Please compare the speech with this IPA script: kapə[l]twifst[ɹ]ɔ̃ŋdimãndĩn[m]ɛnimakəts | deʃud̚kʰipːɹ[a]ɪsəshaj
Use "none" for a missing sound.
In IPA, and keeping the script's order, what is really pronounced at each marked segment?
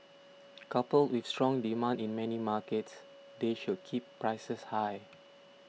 l, ɹ, m, a

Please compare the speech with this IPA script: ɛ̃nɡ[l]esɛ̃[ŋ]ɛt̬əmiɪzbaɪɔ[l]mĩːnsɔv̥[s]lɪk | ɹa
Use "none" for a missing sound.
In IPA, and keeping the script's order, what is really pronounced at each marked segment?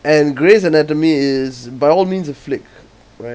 ɹ, n, l, f

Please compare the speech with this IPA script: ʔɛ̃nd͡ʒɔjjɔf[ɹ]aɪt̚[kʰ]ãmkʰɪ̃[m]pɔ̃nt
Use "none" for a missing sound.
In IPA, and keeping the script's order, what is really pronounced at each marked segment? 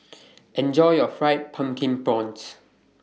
ɹ, pʰ, ŋ

